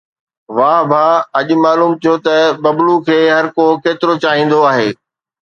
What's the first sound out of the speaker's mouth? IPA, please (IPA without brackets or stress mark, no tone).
ʋ